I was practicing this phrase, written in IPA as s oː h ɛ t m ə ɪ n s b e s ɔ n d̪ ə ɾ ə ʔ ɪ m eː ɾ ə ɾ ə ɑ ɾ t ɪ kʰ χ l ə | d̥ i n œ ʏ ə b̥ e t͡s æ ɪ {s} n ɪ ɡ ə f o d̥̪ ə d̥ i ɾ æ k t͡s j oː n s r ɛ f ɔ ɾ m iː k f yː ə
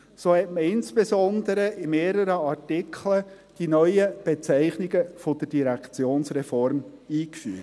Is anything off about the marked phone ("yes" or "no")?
yes